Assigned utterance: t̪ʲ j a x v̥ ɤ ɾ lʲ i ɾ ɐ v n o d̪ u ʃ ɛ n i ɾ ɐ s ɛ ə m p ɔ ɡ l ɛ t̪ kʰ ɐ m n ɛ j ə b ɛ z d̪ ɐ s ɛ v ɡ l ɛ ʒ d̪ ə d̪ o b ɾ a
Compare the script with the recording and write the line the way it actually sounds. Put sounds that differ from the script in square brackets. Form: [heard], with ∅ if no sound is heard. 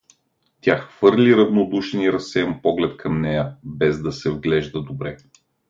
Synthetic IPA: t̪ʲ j a x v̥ ɤ ɾ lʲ i ɾ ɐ v n o d̪ u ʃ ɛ n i ɾ ɐ s ɛ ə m p ɔ ɡ l ɛ t̪ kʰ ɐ m n ɛ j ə b ɛ z d̪ ɐ s ɛ v ɡ l ɛ ʒ d̪ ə d̪ o b ɾ [ɛ]